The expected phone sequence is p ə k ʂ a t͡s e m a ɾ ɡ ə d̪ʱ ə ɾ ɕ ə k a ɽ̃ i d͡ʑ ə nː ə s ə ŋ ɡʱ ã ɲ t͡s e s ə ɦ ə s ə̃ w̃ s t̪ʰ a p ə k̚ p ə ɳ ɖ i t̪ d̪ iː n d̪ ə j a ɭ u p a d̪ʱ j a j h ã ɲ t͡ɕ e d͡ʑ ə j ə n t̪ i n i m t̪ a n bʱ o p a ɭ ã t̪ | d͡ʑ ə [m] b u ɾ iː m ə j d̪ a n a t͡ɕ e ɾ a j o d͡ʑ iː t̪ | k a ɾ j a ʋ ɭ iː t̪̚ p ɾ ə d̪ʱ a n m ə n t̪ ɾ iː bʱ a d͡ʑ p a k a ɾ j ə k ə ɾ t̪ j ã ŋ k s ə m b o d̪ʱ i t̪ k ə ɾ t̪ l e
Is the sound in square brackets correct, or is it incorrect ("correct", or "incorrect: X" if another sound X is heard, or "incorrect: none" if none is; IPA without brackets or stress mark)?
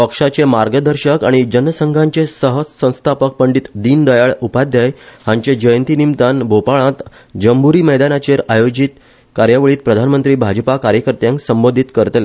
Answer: correct